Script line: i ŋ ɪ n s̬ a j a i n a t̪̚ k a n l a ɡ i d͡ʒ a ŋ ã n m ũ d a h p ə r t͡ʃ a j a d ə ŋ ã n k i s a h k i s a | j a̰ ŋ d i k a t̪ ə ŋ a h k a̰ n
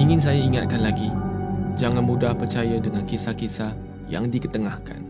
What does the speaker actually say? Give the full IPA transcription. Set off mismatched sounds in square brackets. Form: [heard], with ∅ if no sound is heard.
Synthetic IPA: i ŋ ɪ n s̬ a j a i [ŋ] a t̪̚ k a n l a ɡ i d͡ʒ a ŋ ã n m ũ d a h p ə r t͡ʃ a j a d ə ŋ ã n k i s a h k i s a | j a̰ ŋ d i k [ə] t̪ ə ŋ a h k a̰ n